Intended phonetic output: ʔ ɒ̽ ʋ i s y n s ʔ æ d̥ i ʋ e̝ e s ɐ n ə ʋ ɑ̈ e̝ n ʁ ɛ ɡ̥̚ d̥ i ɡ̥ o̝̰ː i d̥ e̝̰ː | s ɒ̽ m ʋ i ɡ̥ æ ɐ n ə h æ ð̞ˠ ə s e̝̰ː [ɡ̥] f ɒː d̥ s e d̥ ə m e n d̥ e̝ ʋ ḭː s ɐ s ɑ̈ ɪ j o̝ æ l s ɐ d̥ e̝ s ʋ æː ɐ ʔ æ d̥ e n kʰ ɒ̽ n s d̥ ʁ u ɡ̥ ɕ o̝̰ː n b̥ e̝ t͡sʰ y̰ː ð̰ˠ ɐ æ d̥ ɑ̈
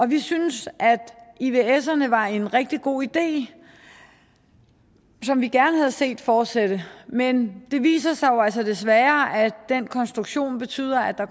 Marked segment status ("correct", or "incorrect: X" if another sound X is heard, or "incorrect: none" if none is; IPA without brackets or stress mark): incorrect: d̥